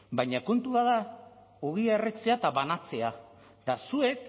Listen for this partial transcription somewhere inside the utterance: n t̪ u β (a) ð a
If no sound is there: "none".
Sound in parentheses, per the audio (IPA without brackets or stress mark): a